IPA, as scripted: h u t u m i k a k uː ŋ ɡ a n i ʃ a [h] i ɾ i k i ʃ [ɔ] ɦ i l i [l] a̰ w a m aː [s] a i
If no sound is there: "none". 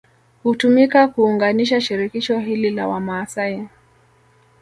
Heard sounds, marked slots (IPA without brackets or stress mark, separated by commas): ʃ, ɔ, l, s